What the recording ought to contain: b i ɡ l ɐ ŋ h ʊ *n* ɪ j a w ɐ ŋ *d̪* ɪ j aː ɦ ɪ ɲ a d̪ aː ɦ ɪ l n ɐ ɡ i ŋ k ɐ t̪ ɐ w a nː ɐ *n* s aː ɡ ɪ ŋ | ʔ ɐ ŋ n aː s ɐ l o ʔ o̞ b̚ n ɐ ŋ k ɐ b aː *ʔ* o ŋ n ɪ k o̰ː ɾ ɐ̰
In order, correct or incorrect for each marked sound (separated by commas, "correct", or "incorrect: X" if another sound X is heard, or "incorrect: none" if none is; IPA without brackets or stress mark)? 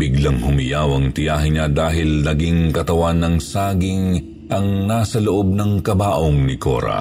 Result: incorrect: m, incorrect: t̪, incorrect: ŋ, correct